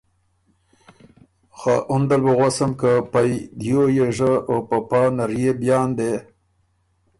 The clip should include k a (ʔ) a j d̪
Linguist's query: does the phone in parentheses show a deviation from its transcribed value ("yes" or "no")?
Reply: yes